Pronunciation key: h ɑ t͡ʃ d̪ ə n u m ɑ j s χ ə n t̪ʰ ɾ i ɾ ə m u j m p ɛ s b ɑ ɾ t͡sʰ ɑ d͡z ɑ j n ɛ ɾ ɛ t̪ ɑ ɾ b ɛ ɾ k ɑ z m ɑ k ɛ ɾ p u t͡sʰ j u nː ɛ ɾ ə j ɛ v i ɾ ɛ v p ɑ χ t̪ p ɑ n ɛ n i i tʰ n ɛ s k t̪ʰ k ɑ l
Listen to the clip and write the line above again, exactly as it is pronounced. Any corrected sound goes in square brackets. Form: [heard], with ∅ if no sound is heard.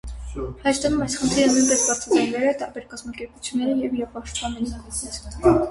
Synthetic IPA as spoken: h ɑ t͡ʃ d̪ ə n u m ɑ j s χ ə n t̪ʰ ɾ i ɾ ə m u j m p ɛ s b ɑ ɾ t͡sʰ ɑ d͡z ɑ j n ɛ ɾ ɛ t̪ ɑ ɾ b ɛ ɾ k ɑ z m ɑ k ɛ ɾ p u t͡sʰ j u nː ɛ ɾ ə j ɛ v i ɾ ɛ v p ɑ [ʃ] t̪ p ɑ n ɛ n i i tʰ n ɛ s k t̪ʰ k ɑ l

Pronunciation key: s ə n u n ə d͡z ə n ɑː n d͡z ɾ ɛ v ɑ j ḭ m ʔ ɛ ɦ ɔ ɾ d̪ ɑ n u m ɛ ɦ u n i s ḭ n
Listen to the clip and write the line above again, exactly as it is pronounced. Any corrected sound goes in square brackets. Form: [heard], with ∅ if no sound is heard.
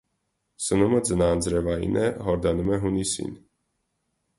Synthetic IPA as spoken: s ə n u [m] ə d͡z ə n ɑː n d͡z ɾ ɛ v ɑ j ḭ [n] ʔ ɛ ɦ ɔ ɾ d̪ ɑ n u m ɛ ɦ u n i s ḭ n

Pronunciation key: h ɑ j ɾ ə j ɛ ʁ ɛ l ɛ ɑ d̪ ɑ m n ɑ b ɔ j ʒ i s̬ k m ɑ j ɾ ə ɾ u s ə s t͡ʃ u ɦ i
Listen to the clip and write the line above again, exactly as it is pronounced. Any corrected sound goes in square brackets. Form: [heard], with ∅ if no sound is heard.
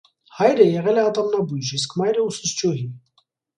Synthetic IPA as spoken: h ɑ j ɾ ə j ɛ ʁ ɛ l ɛ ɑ [t̪] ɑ m n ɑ b [u] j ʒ i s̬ k m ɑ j ɾ ə [∅] u s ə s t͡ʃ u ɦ i

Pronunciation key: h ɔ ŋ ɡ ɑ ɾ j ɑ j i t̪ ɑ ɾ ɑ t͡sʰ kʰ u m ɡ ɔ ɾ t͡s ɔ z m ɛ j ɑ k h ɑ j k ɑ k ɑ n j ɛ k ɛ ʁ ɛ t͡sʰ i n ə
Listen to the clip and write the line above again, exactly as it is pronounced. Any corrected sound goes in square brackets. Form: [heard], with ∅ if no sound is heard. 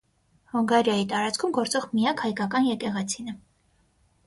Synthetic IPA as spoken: h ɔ ŋ ɡ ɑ ɾ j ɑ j i t̪ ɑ ɾ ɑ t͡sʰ kʰ u m ɡ ɔ ɾ t͡s ɔ [ʁ] m [i] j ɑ k h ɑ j k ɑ k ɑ n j ɛ k ɛ ʁ ɛ t͡sʰ i n ə

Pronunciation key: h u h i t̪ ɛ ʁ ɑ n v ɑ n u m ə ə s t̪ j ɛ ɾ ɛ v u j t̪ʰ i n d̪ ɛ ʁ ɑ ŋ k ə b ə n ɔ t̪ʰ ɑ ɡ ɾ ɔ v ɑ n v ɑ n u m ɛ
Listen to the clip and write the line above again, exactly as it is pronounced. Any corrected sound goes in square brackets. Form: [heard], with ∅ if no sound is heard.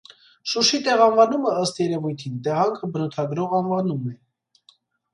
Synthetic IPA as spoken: [ʃ] u [ʃ] i t̪ ɛ ʁ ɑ n v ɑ n u m ə ə s t̪ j ɛ ɾ ɛ v u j t̪ʰ i n [t̪] ɛ ʁ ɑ ŋ [kʰ] ə b ə n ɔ t̪ʰ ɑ ɡ ɾ ɔ [ʁ] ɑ n v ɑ n u m ɛ

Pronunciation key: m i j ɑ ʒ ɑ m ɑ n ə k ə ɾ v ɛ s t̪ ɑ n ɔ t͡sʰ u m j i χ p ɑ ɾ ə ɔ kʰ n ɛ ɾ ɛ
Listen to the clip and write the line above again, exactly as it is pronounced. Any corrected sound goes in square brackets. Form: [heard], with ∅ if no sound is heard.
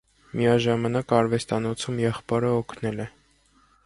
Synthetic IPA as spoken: m i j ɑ ʒ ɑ m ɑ n [ɑ] k [ɑ] ɾ v ɛ s t̪ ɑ n ɔ t͡sʰ u m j [ɛ] χ p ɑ ɾ ə ɔ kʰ n ɛ [l] ɛ

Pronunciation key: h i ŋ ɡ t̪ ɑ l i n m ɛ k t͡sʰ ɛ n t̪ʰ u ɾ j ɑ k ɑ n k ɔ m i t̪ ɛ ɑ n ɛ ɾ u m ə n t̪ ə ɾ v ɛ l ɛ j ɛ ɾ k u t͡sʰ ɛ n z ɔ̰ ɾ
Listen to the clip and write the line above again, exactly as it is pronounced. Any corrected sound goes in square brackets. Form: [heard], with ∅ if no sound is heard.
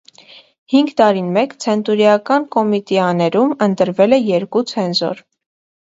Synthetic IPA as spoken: h i ŋ ɡ t̪ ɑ [ɾ] i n m ɛ k t͡sʰ ɛ n [t̪] u ɾ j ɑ k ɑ n k ɔ m i t̪ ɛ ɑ n ɛ ɾ u m ə n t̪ ə ɾ v ɛ l ɛ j ɛ ɾ k u t͡sʰ ɛ n z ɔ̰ ɾ

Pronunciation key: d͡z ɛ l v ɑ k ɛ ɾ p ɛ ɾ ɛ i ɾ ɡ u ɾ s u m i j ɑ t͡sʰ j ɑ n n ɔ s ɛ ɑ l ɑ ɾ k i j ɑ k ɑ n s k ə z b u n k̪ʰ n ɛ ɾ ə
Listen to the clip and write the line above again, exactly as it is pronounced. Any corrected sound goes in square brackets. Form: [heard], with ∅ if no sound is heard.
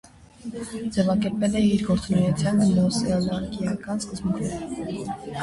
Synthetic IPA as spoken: d͡z ɛ [∅] v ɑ k ɛ ɾ p ɛ [l] ɛ i ɾ ɡ [ɔ] ɾ [t͡s] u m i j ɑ t͡sʰ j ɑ n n ɔ s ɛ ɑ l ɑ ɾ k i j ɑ k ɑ n s k ə z b u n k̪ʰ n ɛ ɾ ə

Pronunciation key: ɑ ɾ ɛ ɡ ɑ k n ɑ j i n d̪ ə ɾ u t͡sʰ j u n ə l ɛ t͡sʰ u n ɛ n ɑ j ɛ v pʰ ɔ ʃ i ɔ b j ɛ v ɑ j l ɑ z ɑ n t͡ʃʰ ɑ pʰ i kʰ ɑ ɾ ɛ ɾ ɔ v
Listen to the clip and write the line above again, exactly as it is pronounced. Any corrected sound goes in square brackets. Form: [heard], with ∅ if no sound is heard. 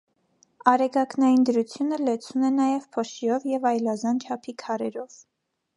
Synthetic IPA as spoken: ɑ ɾ ɛ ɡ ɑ k n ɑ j i n d̪ ə ɾ u t͡sʰ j u n ə l ɛ t͡sʰ u n ɛ n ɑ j ɛ v pʰ ɔ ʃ i ɔ [v] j ɛ v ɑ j l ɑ z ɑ n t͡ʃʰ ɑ pʰ i kʰ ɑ ɾ ɛ ɾ ɔ v

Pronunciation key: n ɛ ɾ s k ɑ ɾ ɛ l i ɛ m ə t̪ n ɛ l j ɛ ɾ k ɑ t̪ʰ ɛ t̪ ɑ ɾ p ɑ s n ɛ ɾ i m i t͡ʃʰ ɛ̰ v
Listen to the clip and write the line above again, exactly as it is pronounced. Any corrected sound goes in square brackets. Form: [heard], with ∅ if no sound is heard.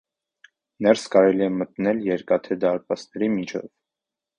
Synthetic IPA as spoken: n ɛ ɾ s k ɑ ɾ ɛ l i ɛ m ə t̪ n ɛ l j ɛ ɾ k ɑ t̪ʰ ɛ [d̪] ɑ ɾ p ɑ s n ɛ ɾ i m i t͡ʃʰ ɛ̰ v

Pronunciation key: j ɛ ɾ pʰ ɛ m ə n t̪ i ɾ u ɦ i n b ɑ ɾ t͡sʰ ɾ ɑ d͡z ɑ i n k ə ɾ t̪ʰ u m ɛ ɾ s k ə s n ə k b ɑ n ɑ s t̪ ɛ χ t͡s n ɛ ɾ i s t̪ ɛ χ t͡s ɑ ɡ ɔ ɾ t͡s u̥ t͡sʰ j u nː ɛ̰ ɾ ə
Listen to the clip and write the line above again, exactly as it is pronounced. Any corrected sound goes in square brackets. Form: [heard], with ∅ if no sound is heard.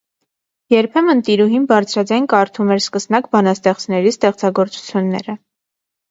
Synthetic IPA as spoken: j ɛ ɾ pʰ ɛ m ə n t̪ i ɾ u ɦ i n b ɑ ɾ t͡sʰ ɾ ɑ d͡z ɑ [j] n k [ɑ] ɾ t̪ʰ u m ɛ ɾ s k ə s n [ɑ] k b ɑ n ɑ s t̪ ɛ χ t͡s n ɛ ɾ i s t̪ ɛ χ t͡s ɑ ɡ ɔ ɾ t͡s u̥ t͡sʰ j u nː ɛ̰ ɾ ə

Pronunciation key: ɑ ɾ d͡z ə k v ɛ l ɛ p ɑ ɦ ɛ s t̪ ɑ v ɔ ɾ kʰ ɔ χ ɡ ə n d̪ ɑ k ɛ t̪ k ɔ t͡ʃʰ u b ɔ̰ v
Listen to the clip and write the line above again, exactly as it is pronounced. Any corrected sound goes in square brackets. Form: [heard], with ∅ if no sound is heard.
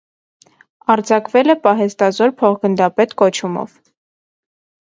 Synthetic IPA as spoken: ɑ ɾ d͡z [ɑ] k v ɛ l ɛ p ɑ ɦ ɛ s t̪ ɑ [z] ɔ ɾ [pʰ] ɔ χ ɡ ə n d̪ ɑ [p] ɛ t̪ k ɔ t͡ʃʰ u [m] ɔ̰ v

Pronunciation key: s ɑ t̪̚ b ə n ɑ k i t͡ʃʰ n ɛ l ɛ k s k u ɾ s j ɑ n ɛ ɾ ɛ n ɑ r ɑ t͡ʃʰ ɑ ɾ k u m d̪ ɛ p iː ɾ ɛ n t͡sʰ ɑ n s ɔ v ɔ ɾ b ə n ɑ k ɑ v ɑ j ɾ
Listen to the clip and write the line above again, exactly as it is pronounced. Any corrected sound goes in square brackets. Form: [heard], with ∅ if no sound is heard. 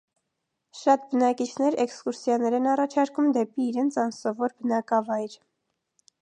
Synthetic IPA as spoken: [ʃ] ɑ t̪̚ b ə n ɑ k i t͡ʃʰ n ɛ [ɾ] ɛ k s k u ɾ s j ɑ n ɛ ɾ ɛ n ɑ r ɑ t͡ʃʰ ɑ ɾ k u m d̪ ɛ p iː ɾ ɛ n t͡sʰ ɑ n s ɔ v ɔ ɾ b ə n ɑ k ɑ v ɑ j ɾ

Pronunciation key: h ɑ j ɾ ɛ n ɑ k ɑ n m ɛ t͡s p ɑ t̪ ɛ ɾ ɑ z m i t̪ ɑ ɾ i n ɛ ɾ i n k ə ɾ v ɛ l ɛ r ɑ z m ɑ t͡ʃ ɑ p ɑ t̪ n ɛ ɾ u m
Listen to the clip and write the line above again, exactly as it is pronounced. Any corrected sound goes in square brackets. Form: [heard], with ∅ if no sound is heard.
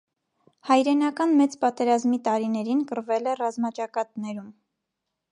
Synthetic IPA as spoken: h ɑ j ɾ ɛ n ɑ k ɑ n m ɛ t͡s p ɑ t̪ ɛ ɾ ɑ z m i t̪ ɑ ɾ i n ɛ ɾ i n k ə ɾ v ɛ l ɛ r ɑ z m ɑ t͡ʃ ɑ [k] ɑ t̪ n ɛ ɾ u m

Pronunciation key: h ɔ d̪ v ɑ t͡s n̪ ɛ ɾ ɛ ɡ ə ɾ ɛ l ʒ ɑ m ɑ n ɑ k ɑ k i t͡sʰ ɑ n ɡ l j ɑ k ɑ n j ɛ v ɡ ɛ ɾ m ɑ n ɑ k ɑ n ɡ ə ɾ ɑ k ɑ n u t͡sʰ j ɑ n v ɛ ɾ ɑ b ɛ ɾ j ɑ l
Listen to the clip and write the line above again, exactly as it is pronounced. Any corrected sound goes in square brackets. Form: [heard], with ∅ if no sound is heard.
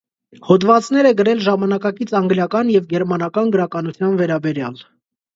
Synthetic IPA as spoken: h ɔ d̪ v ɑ t͡s n̪ ɛ ɾ ɛ ɡ ə ɾ ɛ l ʒ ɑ m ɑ n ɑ k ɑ k i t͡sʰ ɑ [ŋ] ɡ l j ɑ k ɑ n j ɛ v ɡ ɛ ɾ m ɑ n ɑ k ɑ n ɡ ə ɾ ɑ k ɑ n u t͡sʰ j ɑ n v ɛ ɾ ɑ b ɛ ɾ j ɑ l

